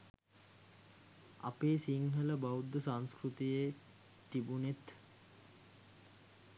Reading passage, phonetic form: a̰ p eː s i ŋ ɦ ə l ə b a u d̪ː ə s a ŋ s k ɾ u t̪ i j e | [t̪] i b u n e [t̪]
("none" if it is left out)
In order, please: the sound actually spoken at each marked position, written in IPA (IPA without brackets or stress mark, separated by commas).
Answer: t̪, t̪